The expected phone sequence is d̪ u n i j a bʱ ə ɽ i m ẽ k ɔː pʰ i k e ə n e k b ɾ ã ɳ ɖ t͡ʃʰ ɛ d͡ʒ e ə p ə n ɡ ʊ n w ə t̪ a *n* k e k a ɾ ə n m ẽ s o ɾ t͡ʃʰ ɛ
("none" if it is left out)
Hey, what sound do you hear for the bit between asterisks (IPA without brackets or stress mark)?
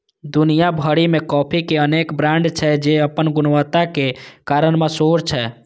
none